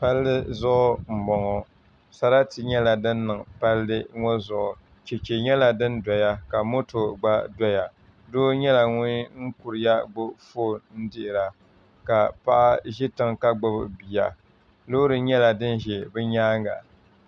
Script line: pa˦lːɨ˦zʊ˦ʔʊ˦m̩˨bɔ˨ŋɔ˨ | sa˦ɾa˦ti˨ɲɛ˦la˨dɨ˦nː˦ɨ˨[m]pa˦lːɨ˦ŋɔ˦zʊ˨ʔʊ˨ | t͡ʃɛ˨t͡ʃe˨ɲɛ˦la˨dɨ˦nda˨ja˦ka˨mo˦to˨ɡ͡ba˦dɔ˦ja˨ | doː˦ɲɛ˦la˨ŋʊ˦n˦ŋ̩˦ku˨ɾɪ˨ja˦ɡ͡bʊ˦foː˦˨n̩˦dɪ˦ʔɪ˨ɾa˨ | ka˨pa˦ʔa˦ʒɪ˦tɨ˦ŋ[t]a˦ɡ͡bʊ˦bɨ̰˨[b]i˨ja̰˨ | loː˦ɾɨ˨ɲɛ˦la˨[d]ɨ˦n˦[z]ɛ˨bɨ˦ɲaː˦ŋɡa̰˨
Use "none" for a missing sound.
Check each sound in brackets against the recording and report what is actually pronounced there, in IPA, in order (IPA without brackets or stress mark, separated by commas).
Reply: ŋ, k, b, d, ʒ